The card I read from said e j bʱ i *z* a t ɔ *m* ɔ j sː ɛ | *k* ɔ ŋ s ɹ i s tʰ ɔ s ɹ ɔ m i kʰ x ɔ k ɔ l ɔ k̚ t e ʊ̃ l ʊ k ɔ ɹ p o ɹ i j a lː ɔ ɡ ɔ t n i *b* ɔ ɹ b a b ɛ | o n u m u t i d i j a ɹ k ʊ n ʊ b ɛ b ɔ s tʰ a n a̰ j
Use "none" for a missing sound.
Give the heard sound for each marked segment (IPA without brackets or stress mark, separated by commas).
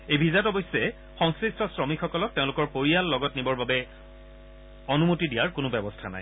z, b, x, b